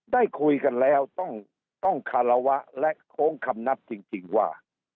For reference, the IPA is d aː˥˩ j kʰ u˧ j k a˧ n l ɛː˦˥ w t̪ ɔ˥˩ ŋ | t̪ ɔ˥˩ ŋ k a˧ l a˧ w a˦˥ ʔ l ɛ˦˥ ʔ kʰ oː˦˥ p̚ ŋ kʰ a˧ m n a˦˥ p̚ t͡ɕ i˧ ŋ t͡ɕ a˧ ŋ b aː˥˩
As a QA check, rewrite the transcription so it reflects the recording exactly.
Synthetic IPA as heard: d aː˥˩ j kʰ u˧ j k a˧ n l ɛː˦˥ w t̪ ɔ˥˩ ŋ | t̪ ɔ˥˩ ŋ kʰ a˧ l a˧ w a˦˥ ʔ l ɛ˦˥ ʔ kʰ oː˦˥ ŋ kʰ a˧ m n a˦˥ p̚ t͡ɕ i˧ ŋ t͡ɕ i˧ ŋ w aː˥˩

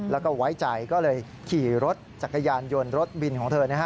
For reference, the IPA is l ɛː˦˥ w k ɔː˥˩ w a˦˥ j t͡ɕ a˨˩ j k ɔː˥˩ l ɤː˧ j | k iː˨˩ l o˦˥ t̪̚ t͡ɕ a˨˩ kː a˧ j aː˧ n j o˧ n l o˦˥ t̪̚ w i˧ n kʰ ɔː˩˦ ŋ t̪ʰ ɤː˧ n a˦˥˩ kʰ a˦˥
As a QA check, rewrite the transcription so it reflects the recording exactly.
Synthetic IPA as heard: l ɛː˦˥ w k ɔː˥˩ w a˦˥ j t͡ɕ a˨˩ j k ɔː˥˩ l ɤː˧ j | kʰ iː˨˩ ɾ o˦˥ t̪̚ t͡ɕ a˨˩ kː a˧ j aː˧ n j o˧ n ɾ o˦˥ t̪̚ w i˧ n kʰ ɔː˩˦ ŋ t̪ʰ ɤː˧ n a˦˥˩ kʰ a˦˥

